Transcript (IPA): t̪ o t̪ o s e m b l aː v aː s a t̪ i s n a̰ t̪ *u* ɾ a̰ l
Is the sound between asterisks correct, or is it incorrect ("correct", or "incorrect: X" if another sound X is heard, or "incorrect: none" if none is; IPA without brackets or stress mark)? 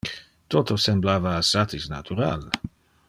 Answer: correct